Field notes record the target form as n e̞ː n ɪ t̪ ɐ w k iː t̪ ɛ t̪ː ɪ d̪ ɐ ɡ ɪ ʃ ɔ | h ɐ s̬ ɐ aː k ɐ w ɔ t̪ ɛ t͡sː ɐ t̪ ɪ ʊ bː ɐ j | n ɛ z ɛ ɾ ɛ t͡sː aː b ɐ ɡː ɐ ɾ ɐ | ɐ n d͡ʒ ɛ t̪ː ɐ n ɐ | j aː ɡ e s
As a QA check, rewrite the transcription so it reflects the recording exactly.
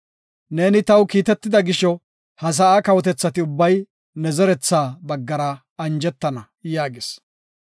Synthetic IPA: n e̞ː n ɪ t̪ ɐ w k iː t̪ ɛ t̪ː ɪ d̪ ɐ ɡ ɪ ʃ ɔ | h ɐ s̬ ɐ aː k ɐ w ɔ t̪ ɛ t͡sː ɐ t̪ ɪ ʊ bː ɐ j | n ɛ z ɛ ɾ ɛ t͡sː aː b ɐ ɡː ɐ ɾ ɐ | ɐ n d͡ʒ ɛ t̪ː ɐ n ɐ | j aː ɡ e s